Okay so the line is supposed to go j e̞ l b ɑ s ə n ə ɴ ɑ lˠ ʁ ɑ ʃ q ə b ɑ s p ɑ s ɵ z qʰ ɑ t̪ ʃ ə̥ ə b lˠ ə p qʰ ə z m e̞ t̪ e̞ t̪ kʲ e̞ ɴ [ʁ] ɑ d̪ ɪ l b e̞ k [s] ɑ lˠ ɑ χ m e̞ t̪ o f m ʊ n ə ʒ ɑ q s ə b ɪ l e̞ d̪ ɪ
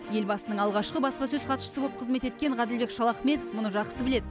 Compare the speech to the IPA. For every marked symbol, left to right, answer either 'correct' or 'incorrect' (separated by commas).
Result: correct, incorrect